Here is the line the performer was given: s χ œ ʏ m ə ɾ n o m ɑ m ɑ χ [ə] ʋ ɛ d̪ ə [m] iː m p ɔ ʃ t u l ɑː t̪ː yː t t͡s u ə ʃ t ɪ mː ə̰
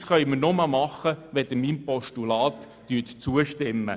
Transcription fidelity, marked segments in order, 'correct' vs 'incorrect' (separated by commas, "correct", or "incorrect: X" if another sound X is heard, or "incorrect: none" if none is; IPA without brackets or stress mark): correct, correct